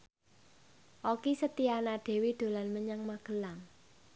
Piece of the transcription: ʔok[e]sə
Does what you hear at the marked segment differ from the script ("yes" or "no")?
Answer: yes